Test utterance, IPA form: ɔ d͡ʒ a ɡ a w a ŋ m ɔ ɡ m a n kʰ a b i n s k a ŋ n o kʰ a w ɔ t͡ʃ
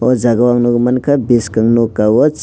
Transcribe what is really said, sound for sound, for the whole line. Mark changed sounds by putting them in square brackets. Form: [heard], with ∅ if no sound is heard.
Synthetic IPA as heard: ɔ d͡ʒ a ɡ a w a ŋ [n] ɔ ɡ m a n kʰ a b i [∅] s k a ŋ n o [k] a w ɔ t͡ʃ